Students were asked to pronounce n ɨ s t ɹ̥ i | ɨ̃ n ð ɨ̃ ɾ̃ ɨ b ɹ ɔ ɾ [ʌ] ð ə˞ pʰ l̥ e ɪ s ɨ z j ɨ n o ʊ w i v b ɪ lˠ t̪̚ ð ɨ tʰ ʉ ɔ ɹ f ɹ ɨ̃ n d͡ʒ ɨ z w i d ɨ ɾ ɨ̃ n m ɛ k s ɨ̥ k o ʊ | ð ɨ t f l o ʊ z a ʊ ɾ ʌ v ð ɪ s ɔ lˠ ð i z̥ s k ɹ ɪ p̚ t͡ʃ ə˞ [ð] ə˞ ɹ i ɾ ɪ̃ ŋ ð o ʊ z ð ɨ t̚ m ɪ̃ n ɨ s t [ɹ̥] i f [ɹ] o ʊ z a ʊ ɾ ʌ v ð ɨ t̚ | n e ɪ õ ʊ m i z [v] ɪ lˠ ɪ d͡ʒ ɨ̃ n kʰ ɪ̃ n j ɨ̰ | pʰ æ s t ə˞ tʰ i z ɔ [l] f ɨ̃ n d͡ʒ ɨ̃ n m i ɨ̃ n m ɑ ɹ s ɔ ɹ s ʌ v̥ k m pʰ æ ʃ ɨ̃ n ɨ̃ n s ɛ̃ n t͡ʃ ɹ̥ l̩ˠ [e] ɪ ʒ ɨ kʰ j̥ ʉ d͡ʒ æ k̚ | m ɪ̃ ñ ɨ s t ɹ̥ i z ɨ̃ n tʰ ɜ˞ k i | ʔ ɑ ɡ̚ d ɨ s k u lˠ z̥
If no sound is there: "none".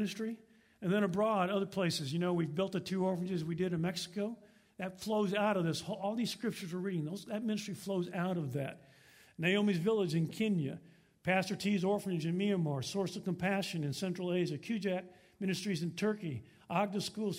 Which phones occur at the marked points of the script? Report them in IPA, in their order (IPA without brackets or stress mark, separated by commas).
ʌ, z, ɹ̥, l, v, ɹ, e